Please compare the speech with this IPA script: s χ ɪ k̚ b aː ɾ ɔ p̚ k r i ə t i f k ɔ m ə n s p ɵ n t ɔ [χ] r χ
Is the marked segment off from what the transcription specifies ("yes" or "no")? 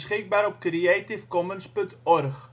yes